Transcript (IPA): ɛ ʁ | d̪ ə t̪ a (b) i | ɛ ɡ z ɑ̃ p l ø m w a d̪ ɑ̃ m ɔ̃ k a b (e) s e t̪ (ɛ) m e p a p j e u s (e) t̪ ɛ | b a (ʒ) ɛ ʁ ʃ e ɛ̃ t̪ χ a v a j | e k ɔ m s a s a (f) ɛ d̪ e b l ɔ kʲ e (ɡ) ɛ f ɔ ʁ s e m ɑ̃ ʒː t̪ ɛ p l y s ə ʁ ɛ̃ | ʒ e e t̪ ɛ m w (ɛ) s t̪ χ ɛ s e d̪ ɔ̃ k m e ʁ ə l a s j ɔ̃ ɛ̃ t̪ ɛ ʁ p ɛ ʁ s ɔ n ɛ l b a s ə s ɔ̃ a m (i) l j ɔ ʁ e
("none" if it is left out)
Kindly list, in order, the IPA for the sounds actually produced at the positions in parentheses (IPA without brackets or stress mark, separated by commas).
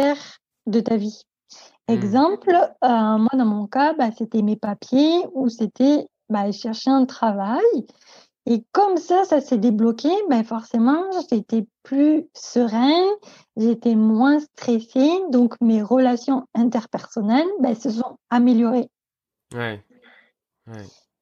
v, a, ɛ, e, ʃ, s, b, ɛ̃, e